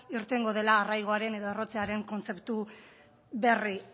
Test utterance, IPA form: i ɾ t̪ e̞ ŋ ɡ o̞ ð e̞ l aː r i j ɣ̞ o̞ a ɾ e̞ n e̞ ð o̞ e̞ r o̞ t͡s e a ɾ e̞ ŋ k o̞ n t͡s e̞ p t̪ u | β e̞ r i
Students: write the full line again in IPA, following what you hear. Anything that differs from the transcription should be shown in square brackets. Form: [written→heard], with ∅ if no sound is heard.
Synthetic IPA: i ɾ t̪ e̞ ŋ ɡ o̞ ð e̞ l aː r [i→a] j ɣ̞ o̞ a ɾ e̞ n e̞ ð o̞ e̞ r o̞ t͡s e a ɾ e̞ ŋ k o̞ n t͡s e̞ p t̪ u | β e̞ r i